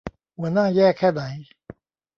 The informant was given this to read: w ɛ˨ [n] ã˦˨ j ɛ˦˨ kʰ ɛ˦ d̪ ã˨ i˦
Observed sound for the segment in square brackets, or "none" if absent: n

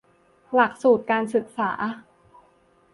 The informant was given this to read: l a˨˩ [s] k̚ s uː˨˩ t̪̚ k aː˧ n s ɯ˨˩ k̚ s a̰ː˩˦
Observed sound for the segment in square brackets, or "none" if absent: none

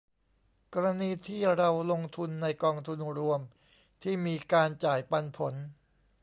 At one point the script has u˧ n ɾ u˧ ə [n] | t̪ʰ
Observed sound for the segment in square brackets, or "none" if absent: m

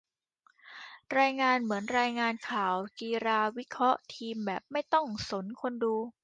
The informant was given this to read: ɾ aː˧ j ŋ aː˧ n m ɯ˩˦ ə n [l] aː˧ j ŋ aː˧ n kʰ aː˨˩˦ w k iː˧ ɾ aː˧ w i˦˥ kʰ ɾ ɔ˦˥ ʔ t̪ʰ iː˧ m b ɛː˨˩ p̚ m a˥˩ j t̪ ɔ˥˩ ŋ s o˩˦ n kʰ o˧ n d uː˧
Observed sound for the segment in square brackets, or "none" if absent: ɾ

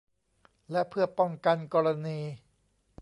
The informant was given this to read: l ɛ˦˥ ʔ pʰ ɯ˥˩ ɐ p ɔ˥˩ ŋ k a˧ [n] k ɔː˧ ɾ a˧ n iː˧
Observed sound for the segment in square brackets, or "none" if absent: n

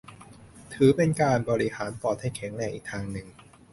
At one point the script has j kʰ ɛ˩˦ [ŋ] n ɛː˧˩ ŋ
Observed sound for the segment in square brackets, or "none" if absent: ŋ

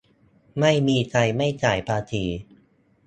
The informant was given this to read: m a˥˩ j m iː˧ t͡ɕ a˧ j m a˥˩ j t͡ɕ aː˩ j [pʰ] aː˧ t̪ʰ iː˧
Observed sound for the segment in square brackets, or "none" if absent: pʰ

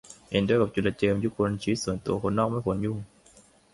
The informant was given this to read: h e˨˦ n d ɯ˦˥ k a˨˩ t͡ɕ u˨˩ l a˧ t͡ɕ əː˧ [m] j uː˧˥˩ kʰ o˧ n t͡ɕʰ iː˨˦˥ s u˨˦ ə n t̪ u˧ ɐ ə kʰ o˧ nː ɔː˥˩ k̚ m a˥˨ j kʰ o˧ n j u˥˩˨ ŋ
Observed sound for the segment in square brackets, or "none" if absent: m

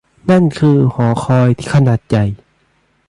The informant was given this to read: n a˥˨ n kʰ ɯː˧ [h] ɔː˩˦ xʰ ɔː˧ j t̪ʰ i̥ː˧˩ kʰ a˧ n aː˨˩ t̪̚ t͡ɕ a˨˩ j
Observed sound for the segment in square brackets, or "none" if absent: h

